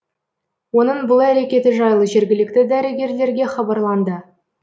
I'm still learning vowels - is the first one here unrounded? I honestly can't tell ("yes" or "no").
no